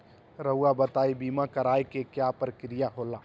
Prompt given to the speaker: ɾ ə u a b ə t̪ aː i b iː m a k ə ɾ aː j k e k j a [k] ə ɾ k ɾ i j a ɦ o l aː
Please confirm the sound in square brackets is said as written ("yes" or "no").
no